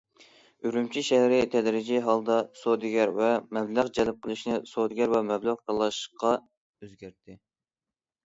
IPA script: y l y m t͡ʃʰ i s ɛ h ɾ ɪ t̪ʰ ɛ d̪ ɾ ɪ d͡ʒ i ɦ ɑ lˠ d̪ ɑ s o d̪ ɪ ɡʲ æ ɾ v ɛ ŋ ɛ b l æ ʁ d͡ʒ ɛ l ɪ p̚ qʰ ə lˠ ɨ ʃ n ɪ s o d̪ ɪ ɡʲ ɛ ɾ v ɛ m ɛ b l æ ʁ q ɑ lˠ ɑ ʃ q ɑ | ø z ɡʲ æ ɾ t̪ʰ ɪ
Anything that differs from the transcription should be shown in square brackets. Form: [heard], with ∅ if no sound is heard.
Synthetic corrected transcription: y [ɾ] y m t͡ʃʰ i [ʃ] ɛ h ɾ ɪ t̪ʰ ɛ d̪ ɾ ɪ d͡ʒ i ɦ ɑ lˠ d̪ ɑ s o d̪ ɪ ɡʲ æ ɾ v ɛ [m] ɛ b l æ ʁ d͡ʒ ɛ l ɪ p̚ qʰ ə lˠ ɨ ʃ n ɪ s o d̪ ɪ ɡʲ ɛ ɾ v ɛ m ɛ b l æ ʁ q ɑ lˠ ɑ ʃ q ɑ | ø z ɡʲ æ ɾ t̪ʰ ɪ